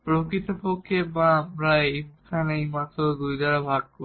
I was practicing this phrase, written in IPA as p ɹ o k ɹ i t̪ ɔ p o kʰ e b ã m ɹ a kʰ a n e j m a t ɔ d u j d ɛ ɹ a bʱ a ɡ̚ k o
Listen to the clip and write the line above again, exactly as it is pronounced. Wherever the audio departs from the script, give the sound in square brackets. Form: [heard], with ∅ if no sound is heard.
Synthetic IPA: p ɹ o k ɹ i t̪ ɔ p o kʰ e b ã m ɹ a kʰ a n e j m a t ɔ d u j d [a] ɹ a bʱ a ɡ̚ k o